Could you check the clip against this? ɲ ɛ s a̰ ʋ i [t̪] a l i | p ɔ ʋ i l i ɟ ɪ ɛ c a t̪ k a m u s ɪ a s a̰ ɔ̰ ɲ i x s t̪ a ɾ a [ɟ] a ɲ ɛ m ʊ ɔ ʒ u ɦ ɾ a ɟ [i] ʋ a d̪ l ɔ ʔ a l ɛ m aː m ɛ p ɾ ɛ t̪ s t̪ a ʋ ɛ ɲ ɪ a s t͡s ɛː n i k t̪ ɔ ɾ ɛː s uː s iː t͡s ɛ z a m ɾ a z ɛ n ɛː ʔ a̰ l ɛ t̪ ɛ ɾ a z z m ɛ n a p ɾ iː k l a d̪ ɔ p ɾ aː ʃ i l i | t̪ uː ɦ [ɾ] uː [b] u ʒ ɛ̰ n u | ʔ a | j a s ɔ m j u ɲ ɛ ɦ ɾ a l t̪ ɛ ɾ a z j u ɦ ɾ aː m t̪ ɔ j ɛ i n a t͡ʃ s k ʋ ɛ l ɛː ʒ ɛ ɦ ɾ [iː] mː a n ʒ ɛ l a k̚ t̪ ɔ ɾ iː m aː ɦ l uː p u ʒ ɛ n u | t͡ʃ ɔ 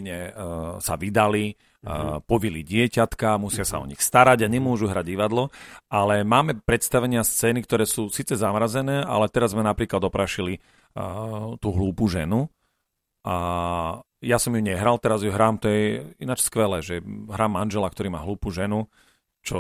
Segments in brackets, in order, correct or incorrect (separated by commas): incorrect, correct, correct, incorrect, incorrect, incorrect